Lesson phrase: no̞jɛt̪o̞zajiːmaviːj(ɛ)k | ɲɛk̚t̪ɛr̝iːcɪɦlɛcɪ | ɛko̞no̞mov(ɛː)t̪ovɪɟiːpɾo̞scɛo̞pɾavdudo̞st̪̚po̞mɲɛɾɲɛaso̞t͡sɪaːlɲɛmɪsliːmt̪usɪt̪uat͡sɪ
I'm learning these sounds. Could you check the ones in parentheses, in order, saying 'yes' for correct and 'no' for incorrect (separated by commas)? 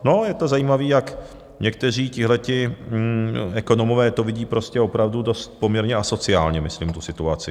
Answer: no, yes